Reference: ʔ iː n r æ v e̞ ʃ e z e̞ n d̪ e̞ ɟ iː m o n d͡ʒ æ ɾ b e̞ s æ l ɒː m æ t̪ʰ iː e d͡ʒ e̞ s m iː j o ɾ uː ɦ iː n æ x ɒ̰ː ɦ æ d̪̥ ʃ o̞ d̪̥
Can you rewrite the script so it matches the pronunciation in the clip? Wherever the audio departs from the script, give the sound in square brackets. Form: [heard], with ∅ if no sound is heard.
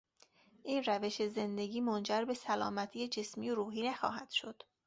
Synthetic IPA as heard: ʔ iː n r æ v e̞ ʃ e z e̞ n d̪ e̞ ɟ iː m o n d͡ʒ æ ɾ b e̞ s æ l ɒː m æ t̪ʰ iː e d͡ʒ e̞ s m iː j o ɾ uː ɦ iː n æ x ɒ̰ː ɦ æ d̪̥ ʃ o̞ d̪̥